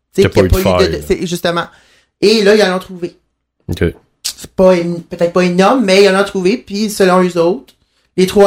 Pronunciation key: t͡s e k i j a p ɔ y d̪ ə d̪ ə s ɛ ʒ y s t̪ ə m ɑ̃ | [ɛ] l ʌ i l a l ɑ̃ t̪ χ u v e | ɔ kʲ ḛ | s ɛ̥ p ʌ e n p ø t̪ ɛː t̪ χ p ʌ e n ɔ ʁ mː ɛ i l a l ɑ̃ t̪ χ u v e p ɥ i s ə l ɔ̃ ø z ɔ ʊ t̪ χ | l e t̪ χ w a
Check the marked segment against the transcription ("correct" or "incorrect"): incorrect